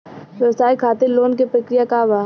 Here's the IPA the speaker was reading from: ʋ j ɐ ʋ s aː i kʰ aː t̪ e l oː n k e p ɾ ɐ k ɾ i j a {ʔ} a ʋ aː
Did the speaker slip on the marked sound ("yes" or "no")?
yes